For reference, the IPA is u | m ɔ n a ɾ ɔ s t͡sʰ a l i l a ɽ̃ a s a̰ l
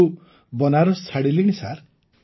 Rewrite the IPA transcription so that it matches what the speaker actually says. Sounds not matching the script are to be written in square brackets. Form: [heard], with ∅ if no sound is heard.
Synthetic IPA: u | [b] ɔ n a ɾ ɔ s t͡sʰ a [ɽ] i l [i] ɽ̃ [i] s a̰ [ɾ]